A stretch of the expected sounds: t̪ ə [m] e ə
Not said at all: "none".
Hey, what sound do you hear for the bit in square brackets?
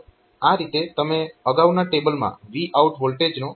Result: m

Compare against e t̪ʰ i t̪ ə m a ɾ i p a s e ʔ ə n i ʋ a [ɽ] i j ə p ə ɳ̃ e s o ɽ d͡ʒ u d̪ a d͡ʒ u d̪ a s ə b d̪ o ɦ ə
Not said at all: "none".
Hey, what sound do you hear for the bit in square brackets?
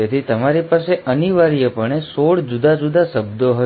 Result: ɾ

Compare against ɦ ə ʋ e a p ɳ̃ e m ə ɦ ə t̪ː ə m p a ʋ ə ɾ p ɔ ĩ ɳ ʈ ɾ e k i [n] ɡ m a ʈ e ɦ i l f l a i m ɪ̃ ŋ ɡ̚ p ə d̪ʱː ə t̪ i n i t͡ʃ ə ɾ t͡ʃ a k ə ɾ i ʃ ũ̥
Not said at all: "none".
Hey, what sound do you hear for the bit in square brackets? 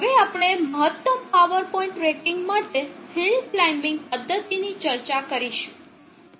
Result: ŋ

